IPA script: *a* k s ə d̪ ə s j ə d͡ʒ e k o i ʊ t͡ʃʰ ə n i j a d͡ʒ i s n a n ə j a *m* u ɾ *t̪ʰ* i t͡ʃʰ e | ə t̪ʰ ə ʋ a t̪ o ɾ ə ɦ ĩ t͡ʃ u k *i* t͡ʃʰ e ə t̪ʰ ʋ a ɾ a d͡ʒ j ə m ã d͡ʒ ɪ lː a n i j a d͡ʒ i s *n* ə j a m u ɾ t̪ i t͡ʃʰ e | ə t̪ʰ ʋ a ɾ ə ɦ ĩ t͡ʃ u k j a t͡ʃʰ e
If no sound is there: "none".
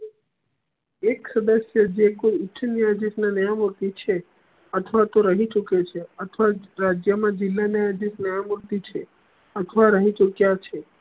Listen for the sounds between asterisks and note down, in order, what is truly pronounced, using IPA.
e, m, t̪, e, n

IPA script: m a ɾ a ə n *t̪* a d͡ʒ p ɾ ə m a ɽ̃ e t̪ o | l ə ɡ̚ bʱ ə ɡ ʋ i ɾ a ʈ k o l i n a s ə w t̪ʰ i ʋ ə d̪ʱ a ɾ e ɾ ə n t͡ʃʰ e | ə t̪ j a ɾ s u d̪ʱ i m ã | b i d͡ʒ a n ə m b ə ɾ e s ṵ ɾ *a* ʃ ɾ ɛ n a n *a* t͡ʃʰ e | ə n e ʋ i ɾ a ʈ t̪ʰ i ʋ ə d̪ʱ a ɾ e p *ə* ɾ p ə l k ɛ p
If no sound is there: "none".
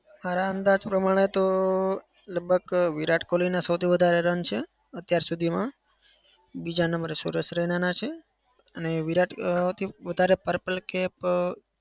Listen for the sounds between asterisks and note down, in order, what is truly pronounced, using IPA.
d̪, ə, a, ə

